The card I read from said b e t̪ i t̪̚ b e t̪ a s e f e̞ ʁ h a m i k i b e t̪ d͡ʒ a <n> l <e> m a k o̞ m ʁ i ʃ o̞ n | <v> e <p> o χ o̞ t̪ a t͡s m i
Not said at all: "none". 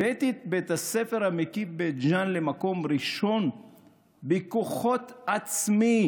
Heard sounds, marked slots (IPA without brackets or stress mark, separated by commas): n, e, b, k